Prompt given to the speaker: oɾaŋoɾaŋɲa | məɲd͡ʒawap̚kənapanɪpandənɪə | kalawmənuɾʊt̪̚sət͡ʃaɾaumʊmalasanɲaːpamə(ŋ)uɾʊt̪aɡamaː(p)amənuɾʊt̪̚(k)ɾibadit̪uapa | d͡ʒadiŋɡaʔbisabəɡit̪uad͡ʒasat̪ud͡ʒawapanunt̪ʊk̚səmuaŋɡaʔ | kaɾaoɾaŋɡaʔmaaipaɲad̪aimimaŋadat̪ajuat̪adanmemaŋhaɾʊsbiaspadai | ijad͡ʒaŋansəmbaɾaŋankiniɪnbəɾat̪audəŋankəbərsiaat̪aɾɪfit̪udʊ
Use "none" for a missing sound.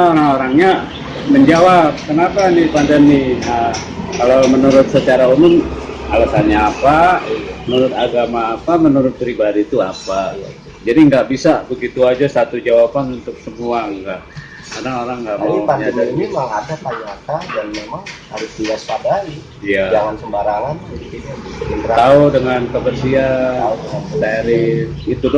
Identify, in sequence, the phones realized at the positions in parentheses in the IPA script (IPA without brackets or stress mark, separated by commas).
n, p, p